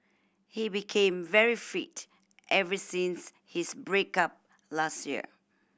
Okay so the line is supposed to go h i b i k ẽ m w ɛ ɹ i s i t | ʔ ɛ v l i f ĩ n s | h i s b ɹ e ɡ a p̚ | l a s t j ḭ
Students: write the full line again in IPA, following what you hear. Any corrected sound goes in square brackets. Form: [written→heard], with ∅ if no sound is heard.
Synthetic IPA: h i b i [k→kʰ] ẽ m [w→v] ɛ ɹ i [s→f] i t | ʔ ɛ v [l→ɹ] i [f→s] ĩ n s | h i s b ɹ e [ɡ→k] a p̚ | l a s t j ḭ